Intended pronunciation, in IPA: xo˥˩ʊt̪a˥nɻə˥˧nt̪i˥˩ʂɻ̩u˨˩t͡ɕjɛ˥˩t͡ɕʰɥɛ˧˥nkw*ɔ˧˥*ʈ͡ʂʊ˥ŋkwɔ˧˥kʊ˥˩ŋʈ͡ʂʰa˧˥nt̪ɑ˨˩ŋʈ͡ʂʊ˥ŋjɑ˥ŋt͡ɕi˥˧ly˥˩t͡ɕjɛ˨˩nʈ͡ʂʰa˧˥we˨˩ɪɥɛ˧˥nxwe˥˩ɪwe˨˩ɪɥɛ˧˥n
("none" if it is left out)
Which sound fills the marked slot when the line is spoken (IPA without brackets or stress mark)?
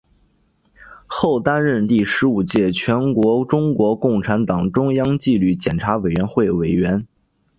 ɔ˧˥